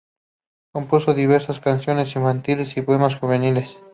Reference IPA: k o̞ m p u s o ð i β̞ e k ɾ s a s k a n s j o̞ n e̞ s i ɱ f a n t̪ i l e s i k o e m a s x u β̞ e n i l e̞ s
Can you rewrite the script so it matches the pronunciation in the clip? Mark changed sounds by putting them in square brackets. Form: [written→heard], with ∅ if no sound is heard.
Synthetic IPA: k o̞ m p u s o ð i β̞ e [k→∅] ɾ s a s k a n s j o̞ n e̞ s i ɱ f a n t̪ i l e s i [k→p] o e m a s x u β̞ e n i l e̞ s